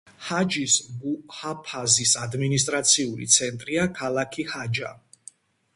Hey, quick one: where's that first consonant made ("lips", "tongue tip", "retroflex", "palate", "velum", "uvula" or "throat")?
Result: throat